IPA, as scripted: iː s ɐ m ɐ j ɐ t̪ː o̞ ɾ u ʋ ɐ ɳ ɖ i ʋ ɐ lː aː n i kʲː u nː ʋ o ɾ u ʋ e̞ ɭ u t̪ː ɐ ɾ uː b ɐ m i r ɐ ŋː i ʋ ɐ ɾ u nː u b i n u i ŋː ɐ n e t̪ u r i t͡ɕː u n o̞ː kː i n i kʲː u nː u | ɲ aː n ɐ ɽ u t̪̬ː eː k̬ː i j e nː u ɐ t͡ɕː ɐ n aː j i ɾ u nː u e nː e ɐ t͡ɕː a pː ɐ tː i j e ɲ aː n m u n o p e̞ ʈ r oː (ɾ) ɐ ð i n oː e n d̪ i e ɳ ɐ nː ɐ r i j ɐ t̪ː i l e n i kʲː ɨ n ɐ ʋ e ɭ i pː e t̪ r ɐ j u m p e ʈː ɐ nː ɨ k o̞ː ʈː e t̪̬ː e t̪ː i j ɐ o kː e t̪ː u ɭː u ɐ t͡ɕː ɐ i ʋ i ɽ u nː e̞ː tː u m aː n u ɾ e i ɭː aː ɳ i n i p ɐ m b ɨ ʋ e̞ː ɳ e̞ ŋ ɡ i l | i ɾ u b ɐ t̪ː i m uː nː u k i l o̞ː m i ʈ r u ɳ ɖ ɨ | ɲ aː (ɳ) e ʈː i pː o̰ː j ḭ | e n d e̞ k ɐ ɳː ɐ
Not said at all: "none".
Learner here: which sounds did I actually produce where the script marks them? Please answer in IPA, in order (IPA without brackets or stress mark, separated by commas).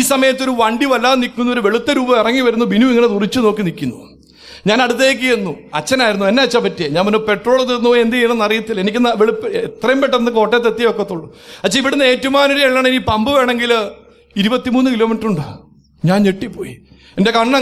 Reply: ɭ, n